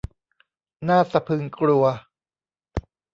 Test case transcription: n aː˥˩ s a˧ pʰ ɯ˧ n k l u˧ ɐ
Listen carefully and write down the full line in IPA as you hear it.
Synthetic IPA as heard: n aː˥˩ s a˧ pʰ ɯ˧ ŋ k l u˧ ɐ

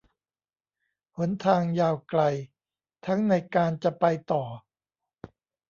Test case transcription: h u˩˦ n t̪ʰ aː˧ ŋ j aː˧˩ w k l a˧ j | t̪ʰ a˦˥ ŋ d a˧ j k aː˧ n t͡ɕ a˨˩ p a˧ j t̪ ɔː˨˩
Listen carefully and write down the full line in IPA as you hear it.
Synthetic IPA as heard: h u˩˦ n t̪ʰ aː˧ ŋ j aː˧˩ w k l a˧ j | t̪ʰ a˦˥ ŋ n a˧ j k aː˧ n t͡ɕ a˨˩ p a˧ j t̪ ɔː˨˩

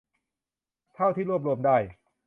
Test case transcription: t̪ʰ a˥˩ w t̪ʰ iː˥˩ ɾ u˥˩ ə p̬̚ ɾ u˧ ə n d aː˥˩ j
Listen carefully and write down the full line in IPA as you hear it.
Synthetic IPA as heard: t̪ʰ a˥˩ w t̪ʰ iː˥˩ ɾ u˥˩ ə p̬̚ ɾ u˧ ə m d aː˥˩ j

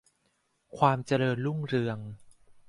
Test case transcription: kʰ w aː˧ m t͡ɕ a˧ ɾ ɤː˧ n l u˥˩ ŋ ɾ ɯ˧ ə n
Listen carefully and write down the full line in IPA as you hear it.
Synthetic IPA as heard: kʰ w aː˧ m t͡ɕ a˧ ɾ ɤː˧ n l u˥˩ ŋ ɾ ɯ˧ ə ŋ

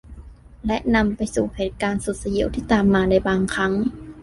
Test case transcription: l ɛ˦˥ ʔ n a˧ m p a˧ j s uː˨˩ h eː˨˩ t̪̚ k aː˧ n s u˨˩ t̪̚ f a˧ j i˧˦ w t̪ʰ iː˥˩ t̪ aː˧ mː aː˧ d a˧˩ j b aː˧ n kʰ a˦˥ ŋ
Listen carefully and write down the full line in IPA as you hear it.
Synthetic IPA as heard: l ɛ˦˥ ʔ n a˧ m p a˧ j s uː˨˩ h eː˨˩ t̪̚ k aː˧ n s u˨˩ t̪̚ s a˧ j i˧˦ w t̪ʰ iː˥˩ t̪ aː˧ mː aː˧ d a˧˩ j b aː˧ ŋ kʰ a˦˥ ŋ

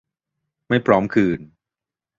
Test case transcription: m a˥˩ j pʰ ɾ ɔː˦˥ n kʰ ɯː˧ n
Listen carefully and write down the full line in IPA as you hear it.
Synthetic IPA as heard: m a˥˩ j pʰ ɾ ɔː˦˥ m kʰ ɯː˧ n

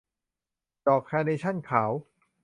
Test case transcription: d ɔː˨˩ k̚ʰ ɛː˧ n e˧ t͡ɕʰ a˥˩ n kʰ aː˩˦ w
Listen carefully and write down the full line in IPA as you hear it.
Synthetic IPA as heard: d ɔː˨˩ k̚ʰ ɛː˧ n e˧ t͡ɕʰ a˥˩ n kʰ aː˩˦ w

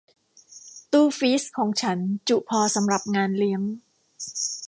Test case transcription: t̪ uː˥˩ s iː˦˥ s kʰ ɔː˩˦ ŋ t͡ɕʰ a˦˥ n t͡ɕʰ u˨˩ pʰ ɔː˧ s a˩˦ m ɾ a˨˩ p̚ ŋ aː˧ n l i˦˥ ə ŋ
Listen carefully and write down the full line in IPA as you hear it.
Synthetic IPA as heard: t̪ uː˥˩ f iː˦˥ s kʰ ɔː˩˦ ŋ t͡ɕʰ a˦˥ n t͡ɕ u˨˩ pʰ ɔː˧ s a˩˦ m ɾ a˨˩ p̚ ŋ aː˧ n l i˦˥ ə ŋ

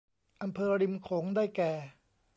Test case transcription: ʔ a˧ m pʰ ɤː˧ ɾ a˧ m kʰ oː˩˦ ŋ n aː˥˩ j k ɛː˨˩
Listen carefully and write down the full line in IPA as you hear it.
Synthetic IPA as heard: ʔ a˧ m pʰ ɤː˧ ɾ i˧ m kʰ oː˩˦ ŋ d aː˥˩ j k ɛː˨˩

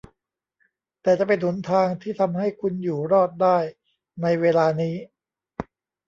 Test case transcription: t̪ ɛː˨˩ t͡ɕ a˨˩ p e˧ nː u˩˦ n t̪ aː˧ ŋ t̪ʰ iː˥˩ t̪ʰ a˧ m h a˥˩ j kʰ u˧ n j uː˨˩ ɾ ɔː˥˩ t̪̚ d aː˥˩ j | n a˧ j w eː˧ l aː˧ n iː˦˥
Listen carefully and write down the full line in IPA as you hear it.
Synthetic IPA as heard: t̪ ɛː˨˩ t͡ɕ a˨˩ p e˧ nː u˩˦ n t̪ʰ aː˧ ŋ t̪ʰ iː˥˩ t̪ʰ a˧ m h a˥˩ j kʰ u˧ n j uː˨˩ ɾ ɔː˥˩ t̪̚ d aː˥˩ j | n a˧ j w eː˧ l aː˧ n iː˦˥

